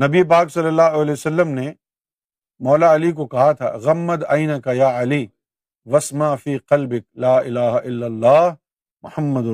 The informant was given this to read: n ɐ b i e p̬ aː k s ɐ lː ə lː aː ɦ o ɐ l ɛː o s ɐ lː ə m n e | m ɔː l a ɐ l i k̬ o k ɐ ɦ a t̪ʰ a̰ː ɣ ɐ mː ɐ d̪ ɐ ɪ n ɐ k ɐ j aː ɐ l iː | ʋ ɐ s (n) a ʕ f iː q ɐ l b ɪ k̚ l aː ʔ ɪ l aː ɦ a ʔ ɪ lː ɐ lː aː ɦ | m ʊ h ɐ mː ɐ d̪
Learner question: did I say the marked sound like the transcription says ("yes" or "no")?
no